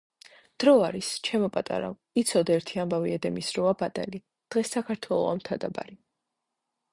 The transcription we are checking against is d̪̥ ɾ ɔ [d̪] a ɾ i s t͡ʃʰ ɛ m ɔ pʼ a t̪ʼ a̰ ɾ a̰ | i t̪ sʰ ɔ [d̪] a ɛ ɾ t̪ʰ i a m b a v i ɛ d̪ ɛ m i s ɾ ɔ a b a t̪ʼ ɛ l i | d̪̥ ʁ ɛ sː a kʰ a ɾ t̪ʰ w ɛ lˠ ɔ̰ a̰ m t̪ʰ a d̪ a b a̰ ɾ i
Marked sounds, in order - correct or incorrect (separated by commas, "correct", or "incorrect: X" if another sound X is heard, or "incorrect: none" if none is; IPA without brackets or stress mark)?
incorrect: none, correct